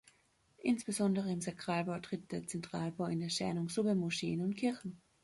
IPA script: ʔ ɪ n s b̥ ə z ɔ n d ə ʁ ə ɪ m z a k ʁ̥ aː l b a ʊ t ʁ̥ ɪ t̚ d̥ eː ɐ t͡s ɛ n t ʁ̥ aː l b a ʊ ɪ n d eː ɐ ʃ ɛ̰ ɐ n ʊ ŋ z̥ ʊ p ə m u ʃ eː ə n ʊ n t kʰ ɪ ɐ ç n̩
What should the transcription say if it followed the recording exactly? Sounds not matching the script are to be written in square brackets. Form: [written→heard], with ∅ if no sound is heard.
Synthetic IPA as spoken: ʔ ɪ n s b̥ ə z ɔ n d ə ʁ ə ɪ m z a k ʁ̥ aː l b a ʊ t ʁ̥ ɪ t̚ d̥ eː ɐ t͡s ɛ n t ʁ̥ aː l b a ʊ ɪ n d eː ɐ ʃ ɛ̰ ɐ n ʊ ŋ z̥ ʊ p ə m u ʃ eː ə n ʊ n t kʰ ɪ ɐ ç n̩